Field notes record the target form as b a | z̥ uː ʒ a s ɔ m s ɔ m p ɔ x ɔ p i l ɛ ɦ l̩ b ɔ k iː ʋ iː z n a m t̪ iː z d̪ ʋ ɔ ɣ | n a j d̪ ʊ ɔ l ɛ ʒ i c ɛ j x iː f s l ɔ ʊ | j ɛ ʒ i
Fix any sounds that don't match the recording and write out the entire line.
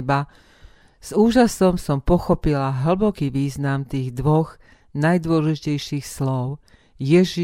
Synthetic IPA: b a | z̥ uː ʒ a s ɔ m s ɔ m p ɔ x ɔ p i l a ɦ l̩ b ɔ k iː ʋ iː z n a m t̪ iː ɣ d̪ ʋ ɔ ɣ | n a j d̪ ʊ ɔ l ɛ ʒ i c ɛ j ʃ iː x s l ɔ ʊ | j ɛ ʒ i